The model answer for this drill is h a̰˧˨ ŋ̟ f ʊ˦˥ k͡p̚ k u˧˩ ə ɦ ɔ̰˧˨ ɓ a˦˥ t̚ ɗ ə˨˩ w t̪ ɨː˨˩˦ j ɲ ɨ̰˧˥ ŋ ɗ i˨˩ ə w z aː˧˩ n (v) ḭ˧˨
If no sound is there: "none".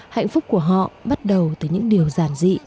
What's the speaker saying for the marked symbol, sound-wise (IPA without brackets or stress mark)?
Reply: z